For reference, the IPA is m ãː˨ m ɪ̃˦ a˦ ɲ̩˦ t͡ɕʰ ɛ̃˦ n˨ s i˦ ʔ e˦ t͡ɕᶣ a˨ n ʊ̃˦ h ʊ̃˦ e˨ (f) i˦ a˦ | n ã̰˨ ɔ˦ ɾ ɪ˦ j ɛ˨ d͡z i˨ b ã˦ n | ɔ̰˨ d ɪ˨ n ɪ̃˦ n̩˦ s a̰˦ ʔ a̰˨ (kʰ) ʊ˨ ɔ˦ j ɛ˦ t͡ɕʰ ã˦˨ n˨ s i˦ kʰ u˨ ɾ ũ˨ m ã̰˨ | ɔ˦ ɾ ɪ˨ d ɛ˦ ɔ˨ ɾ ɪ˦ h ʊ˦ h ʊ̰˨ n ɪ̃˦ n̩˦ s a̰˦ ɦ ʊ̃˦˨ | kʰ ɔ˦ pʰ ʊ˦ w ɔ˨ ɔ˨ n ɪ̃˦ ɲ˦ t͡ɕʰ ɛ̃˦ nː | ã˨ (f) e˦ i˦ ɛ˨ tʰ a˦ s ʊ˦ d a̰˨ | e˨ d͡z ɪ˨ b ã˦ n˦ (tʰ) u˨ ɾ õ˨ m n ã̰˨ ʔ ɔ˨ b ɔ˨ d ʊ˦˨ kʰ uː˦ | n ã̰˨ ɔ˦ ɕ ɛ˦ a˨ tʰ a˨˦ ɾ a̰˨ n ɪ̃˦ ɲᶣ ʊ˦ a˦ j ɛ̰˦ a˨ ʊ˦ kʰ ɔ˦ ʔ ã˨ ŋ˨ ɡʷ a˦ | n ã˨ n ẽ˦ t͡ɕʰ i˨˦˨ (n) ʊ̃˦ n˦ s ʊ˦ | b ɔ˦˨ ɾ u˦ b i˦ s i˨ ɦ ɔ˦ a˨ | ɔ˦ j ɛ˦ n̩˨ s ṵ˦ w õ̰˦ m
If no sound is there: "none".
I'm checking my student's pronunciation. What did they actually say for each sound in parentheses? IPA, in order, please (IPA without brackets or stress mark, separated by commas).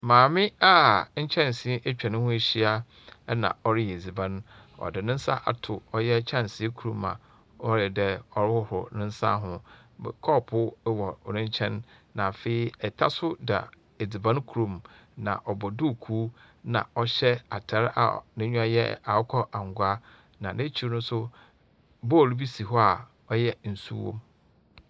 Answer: ɕ, tʰ, f, kʰ, n